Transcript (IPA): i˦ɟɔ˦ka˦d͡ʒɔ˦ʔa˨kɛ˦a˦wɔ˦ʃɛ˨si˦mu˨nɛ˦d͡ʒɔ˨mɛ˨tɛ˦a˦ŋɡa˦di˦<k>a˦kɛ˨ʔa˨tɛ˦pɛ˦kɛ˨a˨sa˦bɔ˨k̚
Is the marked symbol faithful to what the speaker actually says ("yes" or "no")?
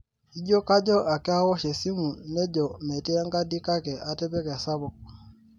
yes